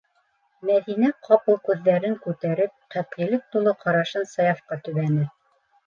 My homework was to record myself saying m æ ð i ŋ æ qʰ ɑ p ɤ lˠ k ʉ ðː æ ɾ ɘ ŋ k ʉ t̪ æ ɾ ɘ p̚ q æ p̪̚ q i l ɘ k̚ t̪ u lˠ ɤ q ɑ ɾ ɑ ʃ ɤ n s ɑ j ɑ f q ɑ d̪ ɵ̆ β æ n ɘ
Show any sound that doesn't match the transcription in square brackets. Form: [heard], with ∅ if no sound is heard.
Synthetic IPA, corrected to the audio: m æ ð i [n] æ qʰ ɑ p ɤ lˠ k ʉ ðː æ ɾ ɘ ŋ k ʉ t̪ æ ɾ ɘ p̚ q æ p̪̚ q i l ɘ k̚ t̪ u lˠ ɤ q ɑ ɾ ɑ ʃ ɤ n s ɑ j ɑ f q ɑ [t̪] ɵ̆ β æ n ɘ